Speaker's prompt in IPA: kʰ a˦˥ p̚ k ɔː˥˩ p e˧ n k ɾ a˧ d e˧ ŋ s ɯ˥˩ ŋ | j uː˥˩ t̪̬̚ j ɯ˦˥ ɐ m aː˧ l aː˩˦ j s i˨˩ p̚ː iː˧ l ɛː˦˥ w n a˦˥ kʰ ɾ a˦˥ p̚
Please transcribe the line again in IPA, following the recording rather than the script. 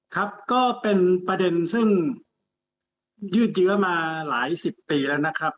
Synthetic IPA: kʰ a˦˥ p̚ k ɔː˥˩ p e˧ n p ɾ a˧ d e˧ n s ɯ˥˩ ŋ | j ɯː˥˩ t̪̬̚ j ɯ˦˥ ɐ m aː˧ l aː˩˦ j s i˨˩ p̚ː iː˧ l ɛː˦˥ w n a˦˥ kʰ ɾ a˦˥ p̚